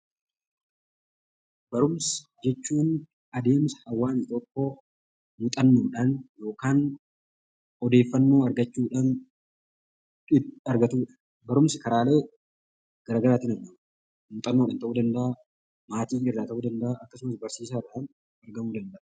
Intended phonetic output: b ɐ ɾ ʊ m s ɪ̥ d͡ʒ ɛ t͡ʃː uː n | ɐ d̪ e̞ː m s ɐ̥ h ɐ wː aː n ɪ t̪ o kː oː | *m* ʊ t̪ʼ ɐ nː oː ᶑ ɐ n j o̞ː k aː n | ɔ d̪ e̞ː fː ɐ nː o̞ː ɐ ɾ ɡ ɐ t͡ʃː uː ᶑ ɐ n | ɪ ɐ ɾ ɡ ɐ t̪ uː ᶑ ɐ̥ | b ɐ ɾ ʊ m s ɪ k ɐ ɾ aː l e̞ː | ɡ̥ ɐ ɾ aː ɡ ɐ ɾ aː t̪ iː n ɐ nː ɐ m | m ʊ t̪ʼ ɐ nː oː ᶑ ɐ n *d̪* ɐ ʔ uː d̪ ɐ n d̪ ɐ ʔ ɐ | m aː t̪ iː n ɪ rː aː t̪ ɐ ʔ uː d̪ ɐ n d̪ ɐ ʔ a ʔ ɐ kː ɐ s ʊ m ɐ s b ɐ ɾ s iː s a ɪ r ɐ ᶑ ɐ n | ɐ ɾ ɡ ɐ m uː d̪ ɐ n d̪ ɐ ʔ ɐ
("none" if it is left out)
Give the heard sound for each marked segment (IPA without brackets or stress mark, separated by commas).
m, t̪